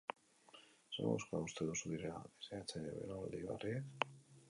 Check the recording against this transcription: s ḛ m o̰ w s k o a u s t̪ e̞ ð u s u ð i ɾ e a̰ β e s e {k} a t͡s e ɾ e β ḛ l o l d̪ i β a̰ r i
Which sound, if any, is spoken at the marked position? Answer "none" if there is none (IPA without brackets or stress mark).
none